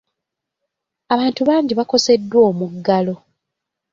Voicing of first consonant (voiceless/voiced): voiced